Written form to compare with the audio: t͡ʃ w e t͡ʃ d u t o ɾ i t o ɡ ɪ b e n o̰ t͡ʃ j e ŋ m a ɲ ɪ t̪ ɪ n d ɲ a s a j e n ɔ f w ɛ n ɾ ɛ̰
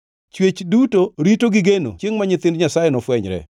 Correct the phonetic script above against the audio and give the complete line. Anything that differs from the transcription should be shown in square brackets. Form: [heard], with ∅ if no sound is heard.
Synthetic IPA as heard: t͡ʃ w e t͡ʃ d u t o ɾ i t o ɡ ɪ [ɡ] e n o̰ t͡ʃ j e ŋ m a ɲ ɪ t̪ ɪ n d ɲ a s a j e n ɔ f w ɛ [ɲ] ɾ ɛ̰